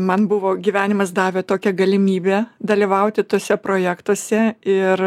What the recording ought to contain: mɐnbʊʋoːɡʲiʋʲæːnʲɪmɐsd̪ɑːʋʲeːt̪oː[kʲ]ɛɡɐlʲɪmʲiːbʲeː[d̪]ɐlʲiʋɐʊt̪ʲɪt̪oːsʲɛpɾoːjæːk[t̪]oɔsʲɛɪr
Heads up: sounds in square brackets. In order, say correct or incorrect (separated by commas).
correct, correct, correct